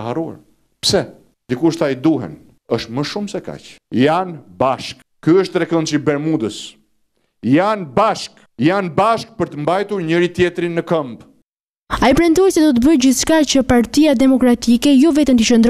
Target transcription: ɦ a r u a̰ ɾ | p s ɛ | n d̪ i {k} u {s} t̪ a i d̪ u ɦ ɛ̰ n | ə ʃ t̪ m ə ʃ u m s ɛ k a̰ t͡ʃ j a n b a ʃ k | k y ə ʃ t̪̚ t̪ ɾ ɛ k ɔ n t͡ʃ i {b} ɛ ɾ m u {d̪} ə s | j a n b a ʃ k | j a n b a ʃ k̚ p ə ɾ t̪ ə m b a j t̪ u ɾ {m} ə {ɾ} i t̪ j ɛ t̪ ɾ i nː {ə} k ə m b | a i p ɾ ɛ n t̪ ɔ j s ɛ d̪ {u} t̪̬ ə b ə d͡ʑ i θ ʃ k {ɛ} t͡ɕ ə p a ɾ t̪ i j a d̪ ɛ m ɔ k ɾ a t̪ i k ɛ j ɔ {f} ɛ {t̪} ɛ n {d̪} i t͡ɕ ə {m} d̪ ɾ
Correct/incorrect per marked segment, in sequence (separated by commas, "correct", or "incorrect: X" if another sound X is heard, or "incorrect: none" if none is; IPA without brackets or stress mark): correct, incorrect: ʃ, correct, correct, incorrect: ɲ, correct, correct, incorrect: ɔ, incorrect: a, incorrect: v, correct, incorrect: t̪, incorrect: n